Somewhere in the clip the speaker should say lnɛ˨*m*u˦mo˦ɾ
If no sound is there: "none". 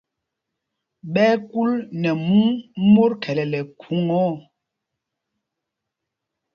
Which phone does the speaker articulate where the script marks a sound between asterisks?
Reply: m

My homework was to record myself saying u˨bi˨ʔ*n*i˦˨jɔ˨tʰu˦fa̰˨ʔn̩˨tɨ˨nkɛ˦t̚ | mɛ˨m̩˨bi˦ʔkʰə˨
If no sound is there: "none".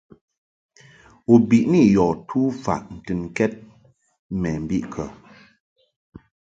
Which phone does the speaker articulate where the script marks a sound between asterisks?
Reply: n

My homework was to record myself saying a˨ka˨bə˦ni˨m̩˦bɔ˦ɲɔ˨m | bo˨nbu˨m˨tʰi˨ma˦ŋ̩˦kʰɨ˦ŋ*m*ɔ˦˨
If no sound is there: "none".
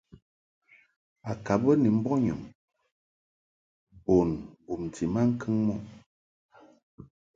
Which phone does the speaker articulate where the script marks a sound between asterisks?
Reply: m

